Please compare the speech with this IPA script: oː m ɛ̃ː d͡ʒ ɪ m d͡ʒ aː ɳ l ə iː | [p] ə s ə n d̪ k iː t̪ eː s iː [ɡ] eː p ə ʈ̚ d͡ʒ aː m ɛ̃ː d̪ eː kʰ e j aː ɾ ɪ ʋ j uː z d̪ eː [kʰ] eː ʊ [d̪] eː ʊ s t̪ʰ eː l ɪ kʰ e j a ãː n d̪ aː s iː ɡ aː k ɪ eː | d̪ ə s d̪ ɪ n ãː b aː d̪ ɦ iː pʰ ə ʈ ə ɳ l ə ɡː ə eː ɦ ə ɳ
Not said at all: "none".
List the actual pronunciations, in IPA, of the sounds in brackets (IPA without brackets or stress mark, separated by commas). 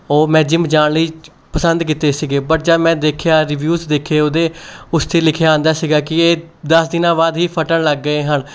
p, ɡ, kʰ, d̪